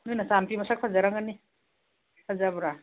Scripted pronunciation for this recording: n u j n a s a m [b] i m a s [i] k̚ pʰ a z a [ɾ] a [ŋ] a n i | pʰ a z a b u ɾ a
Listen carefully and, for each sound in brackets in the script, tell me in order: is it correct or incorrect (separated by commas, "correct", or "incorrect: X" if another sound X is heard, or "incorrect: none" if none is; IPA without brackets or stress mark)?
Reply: incorrect: p, incorrect: a, correct, correct